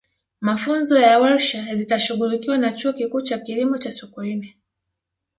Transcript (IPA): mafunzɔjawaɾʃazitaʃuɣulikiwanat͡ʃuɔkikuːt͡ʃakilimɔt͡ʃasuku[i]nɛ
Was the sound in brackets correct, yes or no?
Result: yes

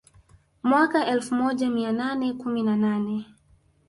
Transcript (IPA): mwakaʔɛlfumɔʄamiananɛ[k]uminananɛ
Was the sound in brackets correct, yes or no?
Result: yes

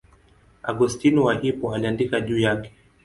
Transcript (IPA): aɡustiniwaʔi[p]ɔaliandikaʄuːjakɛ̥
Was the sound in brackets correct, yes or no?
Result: yes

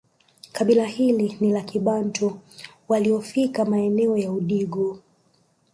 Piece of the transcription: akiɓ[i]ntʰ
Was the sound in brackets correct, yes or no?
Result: no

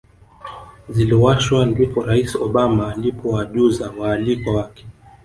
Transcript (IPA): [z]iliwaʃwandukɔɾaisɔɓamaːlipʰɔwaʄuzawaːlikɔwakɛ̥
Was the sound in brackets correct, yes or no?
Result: yes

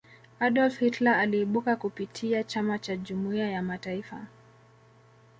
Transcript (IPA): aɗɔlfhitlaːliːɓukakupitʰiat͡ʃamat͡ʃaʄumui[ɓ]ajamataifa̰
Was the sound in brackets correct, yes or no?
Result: no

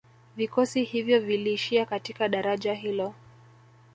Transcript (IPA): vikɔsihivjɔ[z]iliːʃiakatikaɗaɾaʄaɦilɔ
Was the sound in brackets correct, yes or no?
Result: no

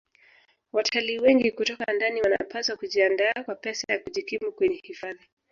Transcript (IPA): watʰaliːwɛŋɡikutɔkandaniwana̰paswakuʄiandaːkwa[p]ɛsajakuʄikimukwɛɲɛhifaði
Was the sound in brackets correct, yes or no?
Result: yes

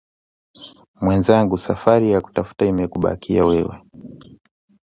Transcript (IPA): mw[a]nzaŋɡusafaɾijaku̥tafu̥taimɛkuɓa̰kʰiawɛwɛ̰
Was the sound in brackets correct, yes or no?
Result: no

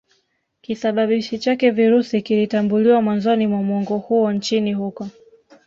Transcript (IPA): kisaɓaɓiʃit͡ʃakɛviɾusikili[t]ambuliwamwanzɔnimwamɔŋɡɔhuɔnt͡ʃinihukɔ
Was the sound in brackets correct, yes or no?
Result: yes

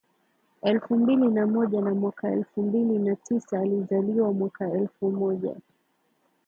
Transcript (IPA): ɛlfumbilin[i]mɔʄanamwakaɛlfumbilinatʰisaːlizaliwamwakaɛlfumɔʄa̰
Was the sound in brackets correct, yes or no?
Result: no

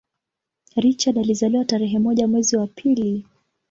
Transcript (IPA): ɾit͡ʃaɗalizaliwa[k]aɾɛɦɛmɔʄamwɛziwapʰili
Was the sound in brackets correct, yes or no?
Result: no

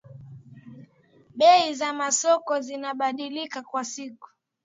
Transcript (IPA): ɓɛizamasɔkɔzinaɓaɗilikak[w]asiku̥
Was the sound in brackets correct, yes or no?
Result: yes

